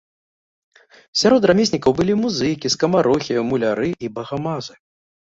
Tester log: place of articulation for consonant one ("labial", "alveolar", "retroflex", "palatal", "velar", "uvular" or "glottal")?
alveolar